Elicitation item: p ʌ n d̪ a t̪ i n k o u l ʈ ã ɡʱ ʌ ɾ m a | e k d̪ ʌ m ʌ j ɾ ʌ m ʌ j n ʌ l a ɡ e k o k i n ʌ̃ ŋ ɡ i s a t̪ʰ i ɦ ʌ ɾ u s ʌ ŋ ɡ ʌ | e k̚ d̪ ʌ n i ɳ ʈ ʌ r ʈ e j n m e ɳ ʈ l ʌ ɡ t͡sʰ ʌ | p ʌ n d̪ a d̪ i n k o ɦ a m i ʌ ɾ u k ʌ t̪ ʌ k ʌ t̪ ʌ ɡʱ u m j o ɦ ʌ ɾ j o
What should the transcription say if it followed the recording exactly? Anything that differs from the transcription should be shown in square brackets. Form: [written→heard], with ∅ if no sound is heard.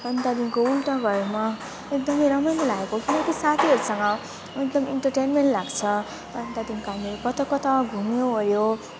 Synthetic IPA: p ʌ n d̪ a [t̪→d̪] i n k o u l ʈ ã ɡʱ ʌ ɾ m a | e k d̪ ʌ m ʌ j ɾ ʌ m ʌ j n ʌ l a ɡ e k o k i n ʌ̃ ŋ [ɡ→k] i s a t̪ʰ i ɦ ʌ ɾ u s ʌ ŋ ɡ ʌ | e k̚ d̪ ʌ [n→m] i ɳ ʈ ʌ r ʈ e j n m e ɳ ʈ l [ʌ→a] ɡ t͡sʰ ʌ | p ʌ n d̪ a d̪ i n k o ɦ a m i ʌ ɾ u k ʌ t̪ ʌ k ʌ t̪ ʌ ɡʱ u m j o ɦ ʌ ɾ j o